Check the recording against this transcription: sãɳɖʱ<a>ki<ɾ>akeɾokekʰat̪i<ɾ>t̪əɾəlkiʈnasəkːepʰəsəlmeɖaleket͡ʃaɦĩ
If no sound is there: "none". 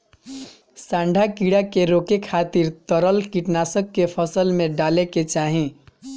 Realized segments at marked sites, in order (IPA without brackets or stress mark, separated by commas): a, ɽ, ɾ